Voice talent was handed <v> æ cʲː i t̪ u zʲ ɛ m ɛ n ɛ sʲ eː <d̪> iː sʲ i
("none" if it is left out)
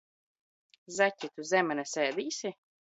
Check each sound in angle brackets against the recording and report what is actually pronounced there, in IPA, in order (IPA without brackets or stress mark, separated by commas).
z, d̪